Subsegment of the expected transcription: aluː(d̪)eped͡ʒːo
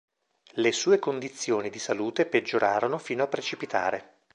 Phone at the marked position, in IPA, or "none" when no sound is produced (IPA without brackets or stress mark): t̪